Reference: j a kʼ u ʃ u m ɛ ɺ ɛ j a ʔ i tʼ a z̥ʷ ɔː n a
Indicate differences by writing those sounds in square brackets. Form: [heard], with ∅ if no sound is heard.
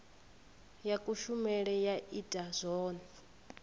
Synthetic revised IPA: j a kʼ u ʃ u m ɛ ɺ ɛ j a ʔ i tʼ a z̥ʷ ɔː n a